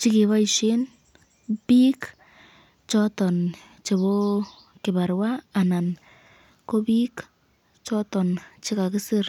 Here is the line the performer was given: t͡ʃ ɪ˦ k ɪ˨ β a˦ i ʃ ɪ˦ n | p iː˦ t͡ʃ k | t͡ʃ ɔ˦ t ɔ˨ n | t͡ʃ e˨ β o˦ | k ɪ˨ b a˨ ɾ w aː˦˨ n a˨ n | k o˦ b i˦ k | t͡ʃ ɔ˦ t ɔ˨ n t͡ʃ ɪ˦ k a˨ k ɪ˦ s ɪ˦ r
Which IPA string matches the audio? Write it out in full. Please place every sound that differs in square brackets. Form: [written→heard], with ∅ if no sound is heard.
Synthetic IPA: t͡ʃ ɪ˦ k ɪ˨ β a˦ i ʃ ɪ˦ n | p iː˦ [t͡ʃ→∅] k | t͡ʃ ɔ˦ t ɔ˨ n | t͡ʃ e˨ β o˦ | k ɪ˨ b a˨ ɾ w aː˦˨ n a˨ n | k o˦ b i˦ k | t͡ʃ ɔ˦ t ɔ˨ n t͡ʃ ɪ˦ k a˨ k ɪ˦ s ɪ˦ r